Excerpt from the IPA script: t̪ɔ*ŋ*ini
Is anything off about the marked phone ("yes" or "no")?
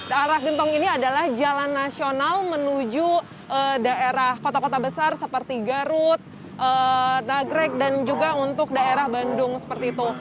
no